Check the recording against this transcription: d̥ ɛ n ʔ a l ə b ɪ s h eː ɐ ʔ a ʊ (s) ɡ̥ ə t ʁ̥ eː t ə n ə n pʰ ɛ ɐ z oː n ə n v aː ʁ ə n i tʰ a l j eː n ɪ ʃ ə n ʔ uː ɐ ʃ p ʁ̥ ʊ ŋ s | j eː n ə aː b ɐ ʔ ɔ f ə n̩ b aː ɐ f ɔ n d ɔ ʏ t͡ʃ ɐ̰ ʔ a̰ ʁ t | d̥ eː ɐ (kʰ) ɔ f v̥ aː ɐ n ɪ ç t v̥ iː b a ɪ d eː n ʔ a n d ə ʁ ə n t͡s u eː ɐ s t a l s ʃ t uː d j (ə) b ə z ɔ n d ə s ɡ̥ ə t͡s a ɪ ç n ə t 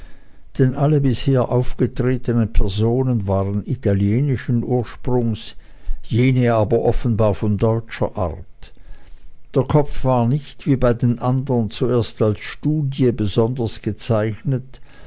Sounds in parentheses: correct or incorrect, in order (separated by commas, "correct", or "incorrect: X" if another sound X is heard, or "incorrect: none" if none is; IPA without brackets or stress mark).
incorrect: f, correct, correct